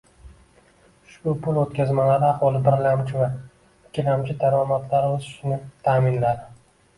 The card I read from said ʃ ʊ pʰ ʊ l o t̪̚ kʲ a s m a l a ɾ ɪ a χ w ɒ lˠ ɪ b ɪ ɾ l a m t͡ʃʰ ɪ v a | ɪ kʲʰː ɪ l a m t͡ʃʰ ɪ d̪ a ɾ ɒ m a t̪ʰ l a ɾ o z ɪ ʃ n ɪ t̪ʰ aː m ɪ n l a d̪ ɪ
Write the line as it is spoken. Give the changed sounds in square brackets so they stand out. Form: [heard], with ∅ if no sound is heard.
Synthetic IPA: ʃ ʊ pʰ ʊ l o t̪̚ kʲ a [z] m a l a ɾ ɪ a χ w ɒ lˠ ɪ b ɪ ɾ l a m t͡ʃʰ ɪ v a | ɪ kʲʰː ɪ l a m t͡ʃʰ ɪ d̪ a ɾ ɒ m a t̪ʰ l a ɾ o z ɪ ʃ n ɪ t̪ʰ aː m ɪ n l a d̪ ɪ